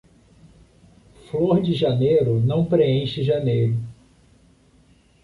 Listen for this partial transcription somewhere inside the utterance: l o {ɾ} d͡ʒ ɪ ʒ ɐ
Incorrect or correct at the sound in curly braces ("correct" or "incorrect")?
correct